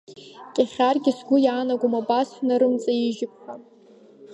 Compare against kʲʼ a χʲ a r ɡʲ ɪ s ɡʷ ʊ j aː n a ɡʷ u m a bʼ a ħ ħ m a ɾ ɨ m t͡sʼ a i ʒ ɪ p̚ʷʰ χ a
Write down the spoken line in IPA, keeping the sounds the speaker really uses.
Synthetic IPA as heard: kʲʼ a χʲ a r ɡʲ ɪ s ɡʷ ʊ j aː n a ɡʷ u m a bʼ a s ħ n a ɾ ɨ m t͡sʼ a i ʒ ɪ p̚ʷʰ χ a